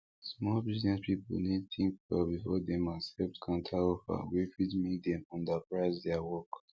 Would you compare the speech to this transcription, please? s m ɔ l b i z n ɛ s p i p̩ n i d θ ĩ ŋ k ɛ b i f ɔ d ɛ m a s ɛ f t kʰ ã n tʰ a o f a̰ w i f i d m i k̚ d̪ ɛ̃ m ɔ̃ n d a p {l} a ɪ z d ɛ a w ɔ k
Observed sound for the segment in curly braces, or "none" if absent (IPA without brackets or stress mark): ɹ